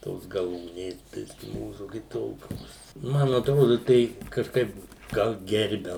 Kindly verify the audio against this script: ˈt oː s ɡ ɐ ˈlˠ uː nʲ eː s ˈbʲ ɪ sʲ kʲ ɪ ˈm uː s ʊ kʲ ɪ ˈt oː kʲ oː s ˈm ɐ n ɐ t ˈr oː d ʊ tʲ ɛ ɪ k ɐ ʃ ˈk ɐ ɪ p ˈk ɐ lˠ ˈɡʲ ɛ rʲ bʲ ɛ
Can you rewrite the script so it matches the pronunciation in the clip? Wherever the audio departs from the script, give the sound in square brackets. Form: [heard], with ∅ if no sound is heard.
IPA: ˈt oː s ɡ ɐ ˈlˠ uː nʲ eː s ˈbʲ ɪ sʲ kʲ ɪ ˈm uː s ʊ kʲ ɪ ˈt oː kʲ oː s ˈm ɐ n ɐ t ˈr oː d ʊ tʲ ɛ ɪ k ɐ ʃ ˈk ɐ ɪ p [ˈɡ] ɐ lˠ ˈɡʲ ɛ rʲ bʲ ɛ